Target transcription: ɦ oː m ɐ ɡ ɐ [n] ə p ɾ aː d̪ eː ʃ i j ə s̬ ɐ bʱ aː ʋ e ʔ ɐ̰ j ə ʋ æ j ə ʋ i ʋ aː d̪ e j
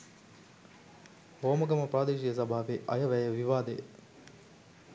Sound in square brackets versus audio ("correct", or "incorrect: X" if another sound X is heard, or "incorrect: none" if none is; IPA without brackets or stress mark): incorrect: m